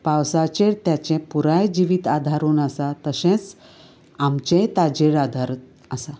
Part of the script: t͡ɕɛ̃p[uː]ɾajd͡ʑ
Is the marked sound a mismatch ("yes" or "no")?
yes